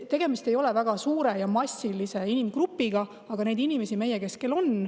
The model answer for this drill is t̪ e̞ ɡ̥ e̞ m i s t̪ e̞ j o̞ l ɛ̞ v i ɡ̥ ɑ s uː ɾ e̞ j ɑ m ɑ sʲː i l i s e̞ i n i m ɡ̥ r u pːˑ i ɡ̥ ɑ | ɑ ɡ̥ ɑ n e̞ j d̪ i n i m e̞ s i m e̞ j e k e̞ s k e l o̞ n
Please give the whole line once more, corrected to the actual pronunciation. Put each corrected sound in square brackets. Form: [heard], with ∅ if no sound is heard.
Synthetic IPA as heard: t̪ e̞ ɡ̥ e̞ m i s t̪ e̞ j o̞ l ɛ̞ v [æ] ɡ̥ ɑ s uː ɾ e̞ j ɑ m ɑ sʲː i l i s e̞ i n i m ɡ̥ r u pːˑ i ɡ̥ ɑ | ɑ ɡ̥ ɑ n e̞ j d̪ i n i m e̞ s i m e̞ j e k e̞ s k e l o̞ n